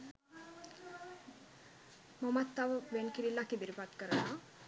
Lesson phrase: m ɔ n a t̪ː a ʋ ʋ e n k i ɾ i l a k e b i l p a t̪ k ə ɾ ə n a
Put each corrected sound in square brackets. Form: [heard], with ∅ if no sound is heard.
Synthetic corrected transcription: m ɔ [m] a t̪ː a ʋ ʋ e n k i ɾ i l a k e b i [ɾ] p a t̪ k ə ɾ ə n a